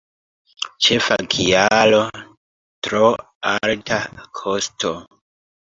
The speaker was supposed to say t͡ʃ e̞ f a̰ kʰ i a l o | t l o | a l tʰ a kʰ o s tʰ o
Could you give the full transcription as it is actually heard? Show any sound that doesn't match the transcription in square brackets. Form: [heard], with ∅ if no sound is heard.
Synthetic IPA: t͡ʃ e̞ f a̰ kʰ i a l o | t [ɾ] o | a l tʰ a kʰ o s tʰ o